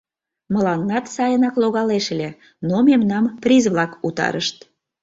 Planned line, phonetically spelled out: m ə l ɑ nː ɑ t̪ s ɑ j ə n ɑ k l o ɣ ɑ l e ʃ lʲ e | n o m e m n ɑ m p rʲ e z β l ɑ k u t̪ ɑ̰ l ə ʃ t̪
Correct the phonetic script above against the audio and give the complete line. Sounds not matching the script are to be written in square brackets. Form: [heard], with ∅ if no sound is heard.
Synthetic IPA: m ə l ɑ nː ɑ t̪ s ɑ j ə n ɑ k l o ɣ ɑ l e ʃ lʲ e | n o m e m n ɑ m p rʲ [i] z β l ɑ k u t̪ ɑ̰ [ɾ] ə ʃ t̪